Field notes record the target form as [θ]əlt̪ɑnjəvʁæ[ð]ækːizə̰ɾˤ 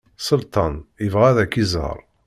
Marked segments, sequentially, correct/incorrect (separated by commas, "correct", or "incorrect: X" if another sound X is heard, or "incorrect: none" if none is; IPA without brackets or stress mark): incorrect: s, correct